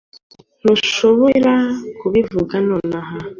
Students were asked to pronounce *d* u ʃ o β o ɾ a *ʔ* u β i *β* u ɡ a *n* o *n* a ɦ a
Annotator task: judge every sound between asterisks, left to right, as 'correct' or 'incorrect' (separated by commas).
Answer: incorrect, incorrect, incorrect, correct, correct